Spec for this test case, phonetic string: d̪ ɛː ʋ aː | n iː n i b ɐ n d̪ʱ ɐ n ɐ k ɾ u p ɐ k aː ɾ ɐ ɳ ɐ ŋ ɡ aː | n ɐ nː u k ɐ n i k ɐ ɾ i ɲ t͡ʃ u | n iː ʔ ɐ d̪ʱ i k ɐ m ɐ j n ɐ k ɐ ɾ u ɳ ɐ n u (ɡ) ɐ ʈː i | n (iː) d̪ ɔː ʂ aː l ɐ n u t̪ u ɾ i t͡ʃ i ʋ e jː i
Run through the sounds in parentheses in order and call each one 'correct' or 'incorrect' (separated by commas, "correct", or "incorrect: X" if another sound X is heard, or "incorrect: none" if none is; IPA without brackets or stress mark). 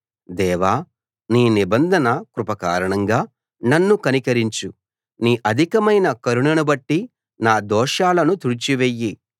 incorrect: b, incorrect: aː